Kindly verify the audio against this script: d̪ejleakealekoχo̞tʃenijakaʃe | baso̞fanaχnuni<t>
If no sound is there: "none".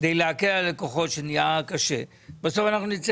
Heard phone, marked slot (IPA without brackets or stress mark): t͡s